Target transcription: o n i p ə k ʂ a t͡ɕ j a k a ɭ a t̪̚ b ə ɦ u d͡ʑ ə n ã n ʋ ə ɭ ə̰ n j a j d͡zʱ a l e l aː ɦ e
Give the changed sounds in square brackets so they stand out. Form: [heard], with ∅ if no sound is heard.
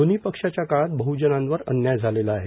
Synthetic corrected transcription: o n i p ə k ʂ a t͡ɕ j a k a ɭ a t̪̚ b ə ɦ u d͡ʑ ə n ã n ʋ ə [ɾ] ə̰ n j a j d͡zʱ a l e l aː ɦ e